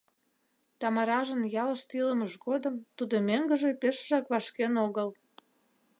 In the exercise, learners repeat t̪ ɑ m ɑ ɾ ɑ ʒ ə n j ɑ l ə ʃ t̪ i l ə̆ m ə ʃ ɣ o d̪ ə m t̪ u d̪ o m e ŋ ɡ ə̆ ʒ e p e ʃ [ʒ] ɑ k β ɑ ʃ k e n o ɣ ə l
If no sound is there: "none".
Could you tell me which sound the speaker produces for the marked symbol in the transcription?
ʒ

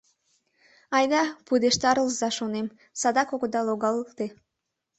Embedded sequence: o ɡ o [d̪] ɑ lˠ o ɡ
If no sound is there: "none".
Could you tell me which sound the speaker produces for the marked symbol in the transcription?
d̪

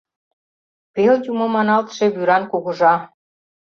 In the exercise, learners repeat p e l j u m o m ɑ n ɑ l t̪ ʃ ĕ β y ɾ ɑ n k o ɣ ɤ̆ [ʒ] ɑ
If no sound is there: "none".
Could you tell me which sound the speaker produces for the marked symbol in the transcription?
ʒ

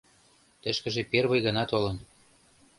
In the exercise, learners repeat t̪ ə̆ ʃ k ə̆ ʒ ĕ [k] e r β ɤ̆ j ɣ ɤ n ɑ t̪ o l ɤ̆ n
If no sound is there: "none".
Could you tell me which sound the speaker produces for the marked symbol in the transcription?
p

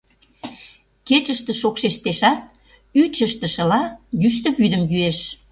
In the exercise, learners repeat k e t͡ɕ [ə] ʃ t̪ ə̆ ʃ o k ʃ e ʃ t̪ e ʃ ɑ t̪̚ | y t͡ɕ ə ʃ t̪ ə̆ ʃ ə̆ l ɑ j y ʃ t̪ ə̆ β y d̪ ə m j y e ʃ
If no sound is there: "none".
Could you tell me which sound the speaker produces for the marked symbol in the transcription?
ə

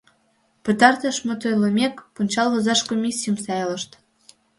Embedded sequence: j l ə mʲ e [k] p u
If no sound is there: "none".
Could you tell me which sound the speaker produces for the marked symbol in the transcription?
k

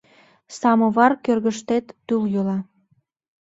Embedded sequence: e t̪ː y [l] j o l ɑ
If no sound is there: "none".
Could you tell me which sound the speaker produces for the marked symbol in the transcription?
l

